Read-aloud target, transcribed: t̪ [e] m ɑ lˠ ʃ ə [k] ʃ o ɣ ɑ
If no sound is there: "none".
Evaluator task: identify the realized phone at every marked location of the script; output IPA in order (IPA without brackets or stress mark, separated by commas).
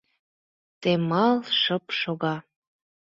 e, p